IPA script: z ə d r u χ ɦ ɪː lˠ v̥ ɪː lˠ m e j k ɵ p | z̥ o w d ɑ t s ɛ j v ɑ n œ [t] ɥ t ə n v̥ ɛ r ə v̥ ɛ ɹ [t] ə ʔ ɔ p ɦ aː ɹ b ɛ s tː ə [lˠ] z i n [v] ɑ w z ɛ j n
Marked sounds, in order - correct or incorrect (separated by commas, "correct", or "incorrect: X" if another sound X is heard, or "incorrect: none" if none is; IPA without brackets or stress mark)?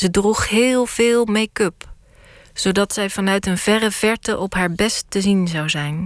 incorrect: none, correct, incorrect: none, incorrect: z